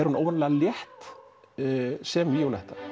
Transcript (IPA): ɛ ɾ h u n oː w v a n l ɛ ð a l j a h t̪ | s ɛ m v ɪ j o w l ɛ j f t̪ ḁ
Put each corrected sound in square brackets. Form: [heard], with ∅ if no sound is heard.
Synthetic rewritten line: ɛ ɾ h u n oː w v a n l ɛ [ɣ] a l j [ɛ] h t̪ | s ɛ m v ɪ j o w l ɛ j [h] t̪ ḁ